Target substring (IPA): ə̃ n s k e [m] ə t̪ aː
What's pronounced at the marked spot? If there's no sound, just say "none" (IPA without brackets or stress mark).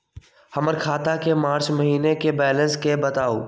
b